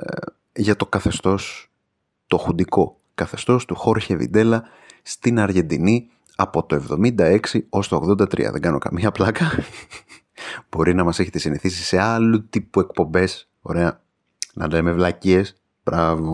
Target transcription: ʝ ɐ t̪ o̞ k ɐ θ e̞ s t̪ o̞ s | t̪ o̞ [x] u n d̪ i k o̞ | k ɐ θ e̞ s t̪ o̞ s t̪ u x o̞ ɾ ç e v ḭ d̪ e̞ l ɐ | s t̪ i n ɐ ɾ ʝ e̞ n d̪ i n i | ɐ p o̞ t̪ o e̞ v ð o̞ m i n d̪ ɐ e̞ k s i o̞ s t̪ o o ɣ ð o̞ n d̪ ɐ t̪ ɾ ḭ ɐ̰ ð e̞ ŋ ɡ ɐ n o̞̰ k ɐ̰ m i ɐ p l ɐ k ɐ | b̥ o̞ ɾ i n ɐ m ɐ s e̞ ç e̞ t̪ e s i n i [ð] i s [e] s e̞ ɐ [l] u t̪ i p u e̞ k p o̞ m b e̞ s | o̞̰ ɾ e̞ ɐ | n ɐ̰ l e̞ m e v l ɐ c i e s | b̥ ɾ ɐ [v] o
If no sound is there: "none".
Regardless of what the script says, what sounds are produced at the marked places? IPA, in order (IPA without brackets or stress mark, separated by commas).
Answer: x, θ, i, l, v